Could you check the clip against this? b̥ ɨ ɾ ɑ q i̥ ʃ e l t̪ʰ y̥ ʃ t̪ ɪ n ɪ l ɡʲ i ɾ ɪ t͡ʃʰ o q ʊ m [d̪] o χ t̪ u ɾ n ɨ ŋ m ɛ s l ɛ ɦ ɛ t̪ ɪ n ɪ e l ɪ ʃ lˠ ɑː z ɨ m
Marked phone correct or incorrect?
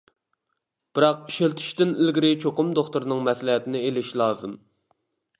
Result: correct